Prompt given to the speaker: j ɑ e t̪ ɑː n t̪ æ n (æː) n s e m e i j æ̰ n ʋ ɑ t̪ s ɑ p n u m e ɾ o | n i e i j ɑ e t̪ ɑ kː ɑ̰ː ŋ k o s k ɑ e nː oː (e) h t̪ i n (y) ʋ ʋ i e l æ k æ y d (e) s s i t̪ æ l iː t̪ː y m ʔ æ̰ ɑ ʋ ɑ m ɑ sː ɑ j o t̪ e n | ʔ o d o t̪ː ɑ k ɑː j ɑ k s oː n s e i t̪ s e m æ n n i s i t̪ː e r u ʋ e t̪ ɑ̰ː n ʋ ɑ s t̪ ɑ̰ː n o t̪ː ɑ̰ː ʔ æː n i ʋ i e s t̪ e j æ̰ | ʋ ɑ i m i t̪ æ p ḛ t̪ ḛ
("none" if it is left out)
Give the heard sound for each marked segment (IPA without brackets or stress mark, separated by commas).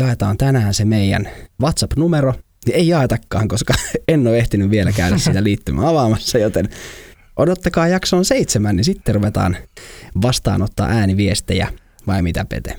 æː, e, y, æ